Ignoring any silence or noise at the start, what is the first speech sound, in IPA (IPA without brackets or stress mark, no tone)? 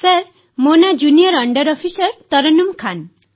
s